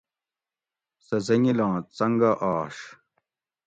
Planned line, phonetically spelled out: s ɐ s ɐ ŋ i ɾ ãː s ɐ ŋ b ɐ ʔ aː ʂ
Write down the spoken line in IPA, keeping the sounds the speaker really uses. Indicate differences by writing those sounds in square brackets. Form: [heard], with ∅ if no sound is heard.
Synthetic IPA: s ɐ [z] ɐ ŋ i [l] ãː [t͡s] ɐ ŋ [ɡ] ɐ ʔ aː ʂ